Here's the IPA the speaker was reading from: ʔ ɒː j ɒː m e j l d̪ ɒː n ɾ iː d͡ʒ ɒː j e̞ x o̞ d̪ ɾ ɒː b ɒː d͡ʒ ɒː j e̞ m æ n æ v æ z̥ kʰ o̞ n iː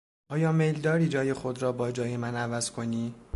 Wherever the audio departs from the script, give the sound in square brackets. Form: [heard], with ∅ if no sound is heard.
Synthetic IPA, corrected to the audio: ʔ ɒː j ɒː m e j l d̪ ɒː [∅] ɾ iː d͡ʒ ɒː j e̞ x o̞ d̪ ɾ ɒː b ɒː d͡ʒ ɒː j e̞ m æ n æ v æ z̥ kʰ o̞ n iː

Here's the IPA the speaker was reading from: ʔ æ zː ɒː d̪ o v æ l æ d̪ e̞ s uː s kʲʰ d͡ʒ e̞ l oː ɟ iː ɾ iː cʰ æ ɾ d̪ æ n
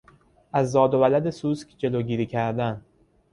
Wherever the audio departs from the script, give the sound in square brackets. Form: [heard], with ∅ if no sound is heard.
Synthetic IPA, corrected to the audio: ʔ æ zː ɒː d̪ o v æ l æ d̪ e̞ s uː s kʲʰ d͡ʒ e̞ l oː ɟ iː ɾ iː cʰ æ ɾ d̪ æ n

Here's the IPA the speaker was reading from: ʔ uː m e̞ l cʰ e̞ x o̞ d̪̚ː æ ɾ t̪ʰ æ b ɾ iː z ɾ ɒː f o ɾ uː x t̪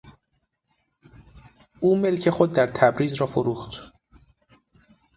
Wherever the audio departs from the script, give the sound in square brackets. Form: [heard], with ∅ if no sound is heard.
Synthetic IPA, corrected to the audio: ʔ uː m e̞ l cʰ e̞ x o̞ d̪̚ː æ ɾ t̪ʰ æ b ɾ iː z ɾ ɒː f o ɾ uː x t̪

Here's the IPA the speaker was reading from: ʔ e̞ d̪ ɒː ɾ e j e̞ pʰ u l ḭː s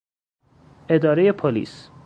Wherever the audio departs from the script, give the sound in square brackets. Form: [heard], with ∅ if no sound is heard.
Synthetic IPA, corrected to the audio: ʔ e̞ d̪ ɒː ɾ e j e̞ pʰ [o] l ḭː s

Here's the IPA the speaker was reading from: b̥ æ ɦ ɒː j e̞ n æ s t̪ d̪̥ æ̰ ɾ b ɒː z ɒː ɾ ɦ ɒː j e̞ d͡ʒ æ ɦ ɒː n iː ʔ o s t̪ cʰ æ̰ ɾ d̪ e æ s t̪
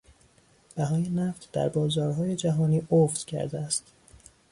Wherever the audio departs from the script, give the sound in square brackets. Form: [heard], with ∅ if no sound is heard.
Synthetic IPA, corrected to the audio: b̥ æ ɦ ɒː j e̞ n æ [f] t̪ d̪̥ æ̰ ɾ b ɒː z ɒː ɾ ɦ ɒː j e̞ d͡ʒ æ ɦ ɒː n iː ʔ o [f] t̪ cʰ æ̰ ɾ d̪ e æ s t̪

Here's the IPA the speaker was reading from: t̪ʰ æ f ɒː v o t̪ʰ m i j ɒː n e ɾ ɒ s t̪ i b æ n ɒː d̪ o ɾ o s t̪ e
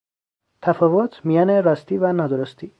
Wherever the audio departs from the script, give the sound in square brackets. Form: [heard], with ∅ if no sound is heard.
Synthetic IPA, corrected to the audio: t̪ʰ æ f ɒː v o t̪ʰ m i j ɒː n e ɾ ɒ s t̪ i [v] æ n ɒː d̪ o ɾ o s t̪ [i]

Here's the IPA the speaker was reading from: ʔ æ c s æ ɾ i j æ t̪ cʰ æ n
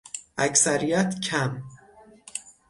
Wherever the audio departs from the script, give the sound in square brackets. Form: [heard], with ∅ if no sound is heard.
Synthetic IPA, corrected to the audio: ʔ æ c s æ ɾ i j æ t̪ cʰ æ [m]

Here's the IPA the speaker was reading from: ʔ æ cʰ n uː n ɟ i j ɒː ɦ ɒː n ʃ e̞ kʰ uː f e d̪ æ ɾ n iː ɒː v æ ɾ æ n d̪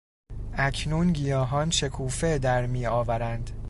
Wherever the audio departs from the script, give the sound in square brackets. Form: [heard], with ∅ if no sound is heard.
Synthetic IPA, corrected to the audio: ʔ æ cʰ n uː n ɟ i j ɒː ɦ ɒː n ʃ e̞ kʰ uː f e d̪ æ ɾ [m] iː ɒː v æ ɾ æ n d̪

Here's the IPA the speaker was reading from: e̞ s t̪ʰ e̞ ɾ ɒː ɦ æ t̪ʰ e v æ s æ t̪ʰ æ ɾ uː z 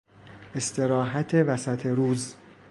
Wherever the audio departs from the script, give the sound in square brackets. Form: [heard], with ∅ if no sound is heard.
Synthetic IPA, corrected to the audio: e̞ s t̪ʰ e̞ ɾ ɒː ɦ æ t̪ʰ e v æ s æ t̪ʰ [e] ɾ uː z

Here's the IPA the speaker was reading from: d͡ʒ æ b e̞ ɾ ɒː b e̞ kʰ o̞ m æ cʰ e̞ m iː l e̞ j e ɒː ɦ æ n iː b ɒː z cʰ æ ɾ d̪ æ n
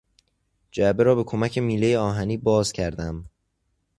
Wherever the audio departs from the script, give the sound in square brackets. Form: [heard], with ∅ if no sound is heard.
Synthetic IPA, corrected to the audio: d͡ʒ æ b e̞ ɾ ɒː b e̞ kʰ o̞ m æ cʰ e̞ m iː l e̞ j e ɒː ɦ æ n iː b ɒː z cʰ æ ɾ d̪ æ [m]

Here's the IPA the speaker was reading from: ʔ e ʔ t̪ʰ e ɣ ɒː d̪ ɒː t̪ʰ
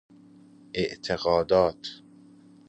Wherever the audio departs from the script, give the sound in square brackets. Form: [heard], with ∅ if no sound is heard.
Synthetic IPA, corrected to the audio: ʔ e ʔ t̪ʰ e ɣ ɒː d̪ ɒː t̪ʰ

